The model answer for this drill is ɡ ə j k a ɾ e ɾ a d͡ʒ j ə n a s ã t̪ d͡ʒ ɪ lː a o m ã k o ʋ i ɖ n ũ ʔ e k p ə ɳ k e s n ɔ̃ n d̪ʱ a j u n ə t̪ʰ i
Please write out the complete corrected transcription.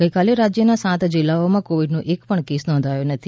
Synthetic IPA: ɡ ə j k a l e ɾ a d͡ʒ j ə n a s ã t̪ d͡ʒ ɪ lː a o m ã k o ʋ i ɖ n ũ ʔ e k p ə ɳ k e s n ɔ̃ n d̪ʱ a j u n ə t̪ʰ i